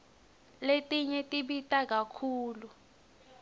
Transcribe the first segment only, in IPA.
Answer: l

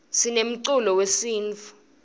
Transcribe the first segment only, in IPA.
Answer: s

